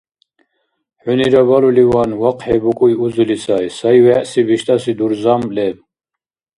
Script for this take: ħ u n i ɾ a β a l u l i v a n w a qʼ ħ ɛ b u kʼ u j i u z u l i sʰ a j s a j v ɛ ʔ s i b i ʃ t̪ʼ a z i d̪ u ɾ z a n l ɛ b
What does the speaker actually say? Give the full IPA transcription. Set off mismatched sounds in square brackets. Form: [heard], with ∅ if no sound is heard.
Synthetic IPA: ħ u n i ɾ a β a l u l i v a n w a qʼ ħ ɛ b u kʼ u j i u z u l i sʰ a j s a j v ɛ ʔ s i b i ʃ t̪ʼ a [s] i d̪ u ɾ z a [m] l ɛ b